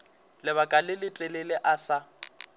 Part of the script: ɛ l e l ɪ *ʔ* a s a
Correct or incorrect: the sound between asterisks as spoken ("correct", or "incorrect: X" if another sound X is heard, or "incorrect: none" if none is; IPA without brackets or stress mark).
correct